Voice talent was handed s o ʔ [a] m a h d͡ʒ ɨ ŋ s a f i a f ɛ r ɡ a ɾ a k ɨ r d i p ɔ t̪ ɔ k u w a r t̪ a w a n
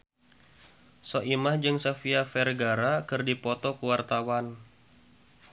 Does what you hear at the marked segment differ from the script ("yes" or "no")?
yes